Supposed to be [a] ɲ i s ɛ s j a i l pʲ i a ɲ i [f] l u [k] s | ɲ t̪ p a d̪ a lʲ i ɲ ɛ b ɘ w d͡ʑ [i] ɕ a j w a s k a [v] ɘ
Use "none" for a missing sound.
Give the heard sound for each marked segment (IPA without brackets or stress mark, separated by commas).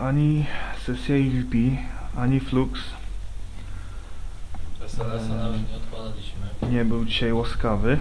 a, f, k, i, v